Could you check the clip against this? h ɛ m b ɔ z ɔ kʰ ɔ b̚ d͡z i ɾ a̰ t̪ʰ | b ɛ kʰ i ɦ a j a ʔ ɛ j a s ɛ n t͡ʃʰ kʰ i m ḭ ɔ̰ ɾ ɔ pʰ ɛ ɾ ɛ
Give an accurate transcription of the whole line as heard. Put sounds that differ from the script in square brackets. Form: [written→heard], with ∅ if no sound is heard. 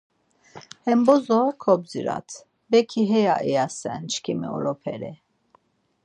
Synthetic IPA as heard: h ɛ m b ɔ z ɔ kʰ ɔ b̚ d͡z i ɾ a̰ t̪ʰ | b ɛ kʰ i ɦ [a→ɛ] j a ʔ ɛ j a s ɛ n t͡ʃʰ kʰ i m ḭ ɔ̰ ɾ ɔ pʰ ɛ ɾ ɛ